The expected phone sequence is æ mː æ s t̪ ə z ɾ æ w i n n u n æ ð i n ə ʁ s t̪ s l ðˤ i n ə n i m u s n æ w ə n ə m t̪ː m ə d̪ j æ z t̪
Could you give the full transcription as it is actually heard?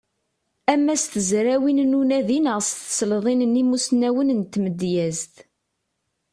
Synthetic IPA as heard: æ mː æ s t̪ ə z ɾ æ w i n n u n æ ð i n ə ʁ s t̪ s l ðˤ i n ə n i m u s n æ w ə n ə n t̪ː m ə d̪ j æ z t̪